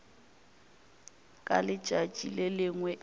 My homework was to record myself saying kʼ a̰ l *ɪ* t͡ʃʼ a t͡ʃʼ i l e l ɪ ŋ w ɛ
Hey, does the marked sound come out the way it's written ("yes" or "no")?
yes